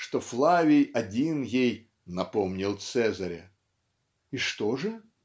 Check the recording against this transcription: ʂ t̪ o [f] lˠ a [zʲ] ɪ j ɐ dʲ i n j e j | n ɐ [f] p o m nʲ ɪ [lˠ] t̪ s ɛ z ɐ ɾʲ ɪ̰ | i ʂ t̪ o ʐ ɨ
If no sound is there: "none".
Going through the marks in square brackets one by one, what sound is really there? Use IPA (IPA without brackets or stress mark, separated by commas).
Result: f, vʲ, none, lˠ